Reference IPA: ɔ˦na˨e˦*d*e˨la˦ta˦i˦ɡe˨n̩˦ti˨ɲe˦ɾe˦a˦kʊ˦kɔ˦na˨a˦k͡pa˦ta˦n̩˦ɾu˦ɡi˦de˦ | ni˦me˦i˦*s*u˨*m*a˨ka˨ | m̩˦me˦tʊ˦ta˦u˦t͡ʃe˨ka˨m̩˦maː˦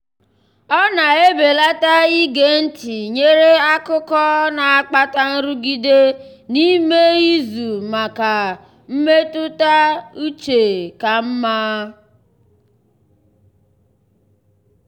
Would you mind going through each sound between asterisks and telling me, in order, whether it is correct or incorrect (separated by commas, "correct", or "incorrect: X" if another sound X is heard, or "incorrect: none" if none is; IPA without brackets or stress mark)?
incorrect: b, incorrect: z, correct